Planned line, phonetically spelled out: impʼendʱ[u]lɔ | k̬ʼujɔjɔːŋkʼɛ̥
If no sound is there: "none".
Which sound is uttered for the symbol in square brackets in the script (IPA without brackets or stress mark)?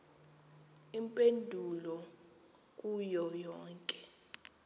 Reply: u